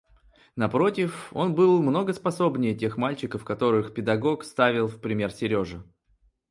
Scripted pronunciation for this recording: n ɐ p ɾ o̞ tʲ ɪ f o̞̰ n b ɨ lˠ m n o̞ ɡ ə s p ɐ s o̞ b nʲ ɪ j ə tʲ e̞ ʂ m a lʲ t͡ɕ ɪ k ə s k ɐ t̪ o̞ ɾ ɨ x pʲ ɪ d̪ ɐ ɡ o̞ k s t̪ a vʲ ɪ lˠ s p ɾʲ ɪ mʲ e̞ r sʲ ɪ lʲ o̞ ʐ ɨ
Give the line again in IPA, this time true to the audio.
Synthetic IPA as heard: n ɐ p ɾ o̞ tʲ ɪ f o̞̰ n b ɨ lˠ m n o̞ ɡ ə s p ɐ s o̞ b nʲ ɪ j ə tʲ e̞ x m a lʲ t͡ɕ ɪ k ə f k ɐ t̪ o̞ ɾ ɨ x pʲ ɪ d̪ ɐ ɡ o̞ k s t̪ a vʲ ɪ lˠ f p ɾʲ ɪ mʲ e̞ r sʲ ɪ ɾʲ o̞ ʐ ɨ